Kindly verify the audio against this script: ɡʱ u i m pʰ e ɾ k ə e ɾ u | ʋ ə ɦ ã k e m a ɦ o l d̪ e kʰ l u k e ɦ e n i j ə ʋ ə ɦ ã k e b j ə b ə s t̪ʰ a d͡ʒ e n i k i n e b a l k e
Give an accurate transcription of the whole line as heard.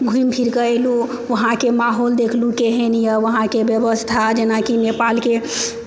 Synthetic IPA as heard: ɡʱ u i m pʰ i ɾ k ə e l u | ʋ ə ɦ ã k e m a ɦ o l d̪ e kʰ l u k e ɦ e n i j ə ʋ ə ɦ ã k e b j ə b ə s t̪ʰ a d͡ʒ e n a k i n e p a l k e